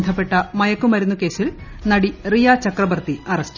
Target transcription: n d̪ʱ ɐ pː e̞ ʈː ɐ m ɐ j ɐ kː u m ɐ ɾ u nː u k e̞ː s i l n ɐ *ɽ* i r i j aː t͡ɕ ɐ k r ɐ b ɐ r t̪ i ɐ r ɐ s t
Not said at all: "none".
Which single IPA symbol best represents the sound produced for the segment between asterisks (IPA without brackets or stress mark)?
ɽ